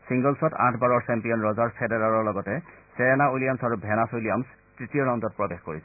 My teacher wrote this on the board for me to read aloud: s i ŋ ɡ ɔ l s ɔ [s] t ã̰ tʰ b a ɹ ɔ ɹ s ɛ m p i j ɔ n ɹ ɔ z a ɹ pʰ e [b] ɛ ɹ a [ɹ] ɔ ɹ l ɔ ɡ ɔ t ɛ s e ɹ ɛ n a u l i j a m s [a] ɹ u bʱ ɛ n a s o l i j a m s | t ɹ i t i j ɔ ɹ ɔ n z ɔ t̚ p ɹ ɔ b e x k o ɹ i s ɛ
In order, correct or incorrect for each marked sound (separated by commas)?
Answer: incorrect, incorrect, correct, correct